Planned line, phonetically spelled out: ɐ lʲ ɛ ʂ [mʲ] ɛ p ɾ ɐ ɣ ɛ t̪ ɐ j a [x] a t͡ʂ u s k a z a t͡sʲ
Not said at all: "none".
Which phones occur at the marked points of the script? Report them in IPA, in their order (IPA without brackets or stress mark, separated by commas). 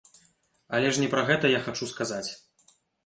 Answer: nʲ, x